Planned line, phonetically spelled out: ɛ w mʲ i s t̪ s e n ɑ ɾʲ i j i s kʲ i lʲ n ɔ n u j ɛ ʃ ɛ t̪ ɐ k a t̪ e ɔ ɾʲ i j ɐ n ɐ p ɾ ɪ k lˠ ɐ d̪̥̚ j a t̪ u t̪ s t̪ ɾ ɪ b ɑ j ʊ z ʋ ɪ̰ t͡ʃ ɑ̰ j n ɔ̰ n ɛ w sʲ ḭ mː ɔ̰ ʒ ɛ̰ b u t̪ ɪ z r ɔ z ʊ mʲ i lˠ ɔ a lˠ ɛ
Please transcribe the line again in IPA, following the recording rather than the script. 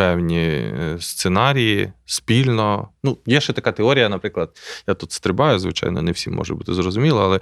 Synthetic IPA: ɛ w nʲ i s t̪ s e n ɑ ɾʲ i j i s pʲ i lʲ n ɔ n u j ɛ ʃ ɛ t̪ ɐ k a t̪ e ɔ ɾʲ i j ɐ n ɐ p ɾ ɪ k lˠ ɐ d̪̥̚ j a t̪ u t̪ s t̪ ɾ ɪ b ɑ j ʊ z ʋ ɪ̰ t͡ʃ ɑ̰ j n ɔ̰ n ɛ w sʲ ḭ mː ɔ̰ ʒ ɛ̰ b u t̪ ɪ z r ɔ z ʊ mʲ i lˠ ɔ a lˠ ɛ